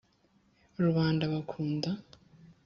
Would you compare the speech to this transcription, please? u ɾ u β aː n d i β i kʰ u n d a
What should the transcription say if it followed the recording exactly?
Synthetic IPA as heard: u ɾ u β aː n d a β a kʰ uː n d a